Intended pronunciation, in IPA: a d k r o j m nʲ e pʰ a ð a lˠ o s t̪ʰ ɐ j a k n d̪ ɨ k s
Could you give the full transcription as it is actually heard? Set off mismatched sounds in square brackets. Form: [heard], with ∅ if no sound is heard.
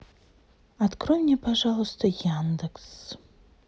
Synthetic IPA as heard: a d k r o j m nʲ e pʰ a [ʐ] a lˠ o s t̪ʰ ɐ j a [∅] n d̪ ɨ k s